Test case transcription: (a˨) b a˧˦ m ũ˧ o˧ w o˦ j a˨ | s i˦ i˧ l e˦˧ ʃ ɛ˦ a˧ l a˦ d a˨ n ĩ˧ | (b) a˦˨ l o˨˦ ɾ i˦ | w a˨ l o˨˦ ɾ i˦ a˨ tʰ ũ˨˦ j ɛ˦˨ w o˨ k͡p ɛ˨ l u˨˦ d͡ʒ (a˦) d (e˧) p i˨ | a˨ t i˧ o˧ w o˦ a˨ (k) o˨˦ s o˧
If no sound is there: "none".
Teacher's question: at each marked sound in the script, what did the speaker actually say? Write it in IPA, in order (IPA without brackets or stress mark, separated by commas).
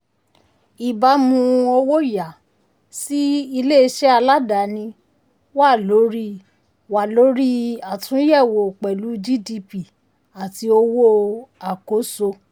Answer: i˨, w, i˦, i˧, k